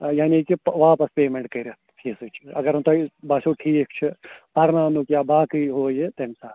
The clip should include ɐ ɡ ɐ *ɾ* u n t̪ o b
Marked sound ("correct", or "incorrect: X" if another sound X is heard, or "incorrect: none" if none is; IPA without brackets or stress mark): correct